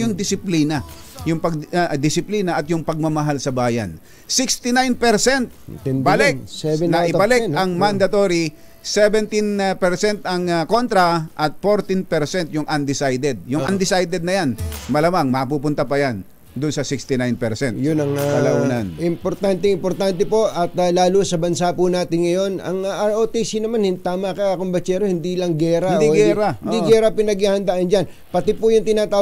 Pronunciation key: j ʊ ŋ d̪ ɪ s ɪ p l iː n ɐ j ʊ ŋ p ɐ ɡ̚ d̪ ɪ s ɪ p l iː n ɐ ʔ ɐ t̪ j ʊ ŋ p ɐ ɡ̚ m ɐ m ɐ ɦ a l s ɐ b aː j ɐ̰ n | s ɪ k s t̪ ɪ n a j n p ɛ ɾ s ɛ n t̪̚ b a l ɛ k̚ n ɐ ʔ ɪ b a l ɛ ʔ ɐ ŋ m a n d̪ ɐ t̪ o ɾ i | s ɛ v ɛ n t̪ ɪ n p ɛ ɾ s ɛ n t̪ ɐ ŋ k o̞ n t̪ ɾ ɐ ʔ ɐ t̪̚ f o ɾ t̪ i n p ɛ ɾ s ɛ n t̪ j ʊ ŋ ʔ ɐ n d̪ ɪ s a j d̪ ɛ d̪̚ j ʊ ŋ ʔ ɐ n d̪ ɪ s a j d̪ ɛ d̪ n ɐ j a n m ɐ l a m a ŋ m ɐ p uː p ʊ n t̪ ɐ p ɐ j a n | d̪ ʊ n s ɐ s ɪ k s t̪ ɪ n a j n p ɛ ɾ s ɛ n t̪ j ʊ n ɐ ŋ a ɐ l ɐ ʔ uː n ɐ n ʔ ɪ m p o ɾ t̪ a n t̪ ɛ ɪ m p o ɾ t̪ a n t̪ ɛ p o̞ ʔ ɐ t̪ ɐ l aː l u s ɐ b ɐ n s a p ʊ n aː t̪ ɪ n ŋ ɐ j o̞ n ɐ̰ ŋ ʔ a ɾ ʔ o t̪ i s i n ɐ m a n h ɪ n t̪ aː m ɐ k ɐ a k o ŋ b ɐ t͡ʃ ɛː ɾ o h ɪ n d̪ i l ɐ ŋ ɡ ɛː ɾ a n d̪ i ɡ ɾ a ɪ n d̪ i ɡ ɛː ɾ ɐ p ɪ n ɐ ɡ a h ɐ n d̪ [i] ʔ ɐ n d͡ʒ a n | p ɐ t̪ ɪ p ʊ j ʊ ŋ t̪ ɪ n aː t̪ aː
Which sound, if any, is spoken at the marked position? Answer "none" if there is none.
a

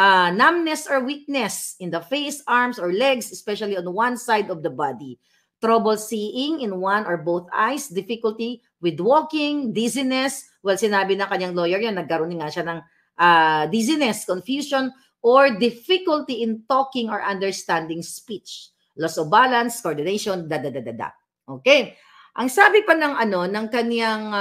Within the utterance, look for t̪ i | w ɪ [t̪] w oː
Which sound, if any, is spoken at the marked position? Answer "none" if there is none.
d̪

